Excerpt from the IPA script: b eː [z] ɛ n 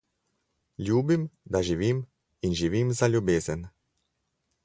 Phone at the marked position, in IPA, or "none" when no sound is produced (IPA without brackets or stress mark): z